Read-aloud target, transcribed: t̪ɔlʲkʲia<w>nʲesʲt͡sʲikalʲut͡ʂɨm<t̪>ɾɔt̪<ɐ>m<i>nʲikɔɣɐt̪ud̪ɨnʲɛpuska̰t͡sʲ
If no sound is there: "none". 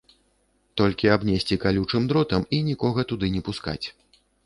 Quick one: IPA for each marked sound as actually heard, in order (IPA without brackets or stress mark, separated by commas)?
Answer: b, d̪, ɐ, i